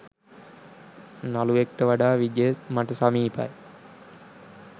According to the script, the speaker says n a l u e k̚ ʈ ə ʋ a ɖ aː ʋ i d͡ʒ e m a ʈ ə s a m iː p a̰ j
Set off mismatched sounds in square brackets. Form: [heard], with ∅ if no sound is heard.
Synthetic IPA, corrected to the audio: n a l u e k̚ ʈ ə ʋ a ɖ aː ʋ i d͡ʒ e m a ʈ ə s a m iː p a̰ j